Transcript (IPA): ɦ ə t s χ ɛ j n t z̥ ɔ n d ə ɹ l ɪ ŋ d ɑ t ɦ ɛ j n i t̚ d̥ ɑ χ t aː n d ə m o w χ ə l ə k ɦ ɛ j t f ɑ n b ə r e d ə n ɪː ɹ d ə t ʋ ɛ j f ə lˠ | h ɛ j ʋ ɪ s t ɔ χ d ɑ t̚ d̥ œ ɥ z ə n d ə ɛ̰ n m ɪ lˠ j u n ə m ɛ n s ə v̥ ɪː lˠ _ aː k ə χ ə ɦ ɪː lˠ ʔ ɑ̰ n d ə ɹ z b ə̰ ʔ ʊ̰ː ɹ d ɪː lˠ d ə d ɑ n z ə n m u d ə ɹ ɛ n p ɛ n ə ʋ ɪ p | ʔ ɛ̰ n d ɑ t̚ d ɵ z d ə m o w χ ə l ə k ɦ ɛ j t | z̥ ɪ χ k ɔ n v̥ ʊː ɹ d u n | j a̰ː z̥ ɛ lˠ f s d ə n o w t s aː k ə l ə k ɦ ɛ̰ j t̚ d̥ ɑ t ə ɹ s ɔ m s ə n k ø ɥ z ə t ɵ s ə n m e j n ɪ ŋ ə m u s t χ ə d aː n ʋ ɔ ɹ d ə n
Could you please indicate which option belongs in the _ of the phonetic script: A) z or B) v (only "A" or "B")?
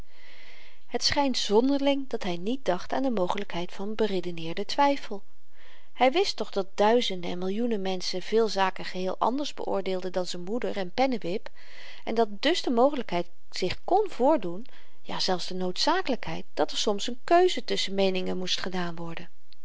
A